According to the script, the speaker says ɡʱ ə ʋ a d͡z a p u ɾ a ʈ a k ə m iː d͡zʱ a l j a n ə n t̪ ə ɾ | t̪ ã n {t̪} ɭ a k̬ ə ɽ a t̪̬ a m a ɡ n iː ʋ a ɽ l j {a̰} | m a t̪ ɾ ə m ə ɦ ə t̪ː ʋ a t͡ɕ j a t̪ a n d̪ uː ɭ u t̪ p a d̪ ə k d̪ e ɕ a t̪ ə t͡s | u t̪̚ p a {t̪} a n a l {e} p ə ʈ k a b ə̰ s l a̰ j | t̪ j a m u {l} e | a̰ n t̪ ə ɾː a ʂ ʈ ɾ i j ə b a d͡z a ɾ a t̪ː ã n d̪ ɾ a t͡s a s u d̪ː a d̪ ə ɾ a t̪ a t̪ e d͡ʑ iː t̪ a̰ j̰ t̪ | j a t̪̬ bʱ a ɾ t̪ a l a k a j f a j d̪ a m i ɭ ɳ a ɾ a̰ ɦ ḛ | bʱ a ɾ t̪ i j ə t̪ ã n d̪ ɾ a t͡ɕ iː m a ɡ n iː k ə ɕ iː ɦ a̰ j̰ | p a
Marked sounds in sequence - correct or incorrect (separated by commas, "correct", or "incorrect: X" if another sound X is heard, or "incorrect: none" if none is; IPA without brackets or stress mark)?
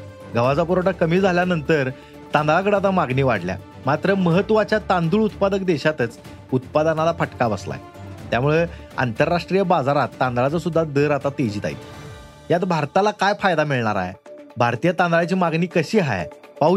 incorrect: d̪, correct, incorrect: d̪, incorrect: a, incorrect: ɭ